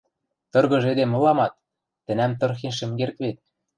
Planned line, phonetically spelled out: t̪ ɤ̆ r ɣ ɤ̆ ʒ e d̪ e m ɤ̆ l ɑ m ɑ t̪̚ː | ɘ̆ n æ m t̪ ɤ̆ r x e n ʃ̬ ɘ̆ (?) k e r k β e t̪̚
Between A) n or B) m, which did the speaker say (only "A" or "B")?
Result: B